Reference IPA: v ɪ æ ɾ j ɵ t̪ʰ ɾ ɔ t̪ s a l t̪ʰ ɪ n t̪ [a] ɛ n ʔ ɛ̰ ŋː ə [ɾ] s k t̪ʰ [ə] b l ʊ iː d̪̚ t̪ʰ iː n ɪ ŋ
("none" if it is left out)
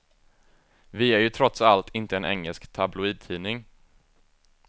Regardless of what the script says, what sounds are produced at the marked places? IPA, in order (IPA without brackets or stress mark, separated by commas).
ə, l, a